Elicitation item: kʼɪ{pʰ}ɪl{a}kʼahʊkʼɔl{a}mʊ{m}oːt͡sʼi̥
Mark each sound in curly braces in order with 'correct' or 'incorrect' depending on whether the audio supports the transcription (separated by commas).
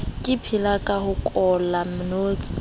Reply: correct, correct, correct, incorrect